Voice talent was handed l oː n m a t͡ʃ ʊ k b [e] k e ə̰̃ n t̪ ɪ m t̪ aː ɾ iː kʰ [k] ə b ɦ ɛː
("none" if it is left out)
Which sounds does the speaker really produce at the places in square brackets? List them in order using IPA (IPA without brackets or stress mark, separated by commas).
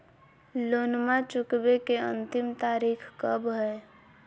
e, k